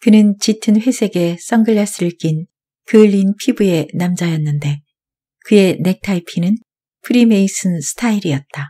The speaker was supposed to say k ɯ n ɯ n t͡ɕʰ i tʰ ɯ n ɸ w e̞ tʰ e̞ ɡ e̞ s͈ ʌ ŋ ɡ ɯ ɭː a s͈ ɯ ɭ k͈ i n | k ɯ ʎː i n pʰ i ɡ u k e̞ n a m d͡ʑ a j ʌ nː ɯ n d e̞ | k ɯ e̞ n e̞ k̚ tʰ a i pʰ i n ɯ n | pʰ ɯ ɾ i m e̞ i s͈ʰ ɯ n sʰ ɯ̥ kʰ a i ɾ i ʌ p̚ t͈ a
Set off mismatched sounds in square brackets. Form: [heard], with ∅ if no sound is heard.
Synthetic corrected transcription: k ɯ n ɯ n [t͡ɕ] i tʰ ɯ n ɸ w e̞ [sʰ] e̞ ɡ e̞ s͈ ʌ ŋ ɡ ɯ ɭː a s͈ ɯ ɭ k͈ i n | k ɯ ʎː i n pʰ i [b] u [∅] e̞ n a m d͡ʑ a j ʌ nː ɯ n d e̞ | k ɯ e̞ n e̞ k̚ tʰ a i pʰ i n ɯ n | pʰ ɯ ɾ i m e̞ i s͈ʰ ɯ n sʰ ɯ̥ [tʰ] a i ɾ i ʌ [t̚] t͈ a